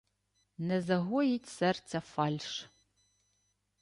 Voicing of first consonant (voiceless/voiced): voiced